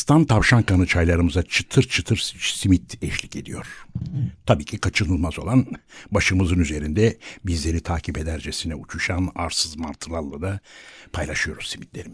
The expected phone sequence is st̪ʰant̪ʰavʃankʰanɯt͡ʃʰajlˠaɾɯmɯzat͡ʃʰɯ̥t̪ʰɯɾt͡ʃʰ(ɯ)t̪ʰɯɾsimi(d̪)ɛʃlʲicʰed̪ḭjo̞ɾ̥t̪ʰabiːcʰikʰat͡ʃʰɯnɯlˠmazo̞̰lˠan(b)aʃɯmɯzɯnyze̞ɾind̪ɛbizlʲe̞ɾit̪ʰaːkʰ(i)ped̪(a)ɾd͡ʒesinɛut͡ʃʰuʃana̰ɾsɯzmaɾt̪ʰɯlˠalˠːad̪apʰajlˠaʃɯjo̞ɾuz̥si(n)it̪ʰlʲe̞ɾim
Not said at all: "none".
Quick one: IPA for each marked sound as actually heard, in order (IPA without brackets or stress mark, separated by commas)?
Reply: ɯ, t̪, b, i, æ, m